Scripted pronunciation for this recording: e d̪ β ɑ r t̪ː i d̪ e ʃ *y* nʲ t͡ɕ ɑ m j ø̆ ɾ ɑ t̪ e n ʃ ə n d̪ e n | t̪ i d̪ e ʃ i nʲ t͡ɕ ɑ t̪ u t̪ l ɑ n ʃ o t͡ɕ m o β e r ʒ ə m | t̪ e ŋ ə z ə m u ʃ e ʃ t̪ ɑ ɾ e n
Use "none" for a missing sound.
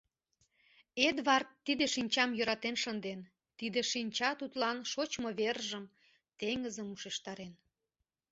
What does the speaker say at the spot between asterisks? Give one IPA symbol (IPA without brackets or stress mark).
i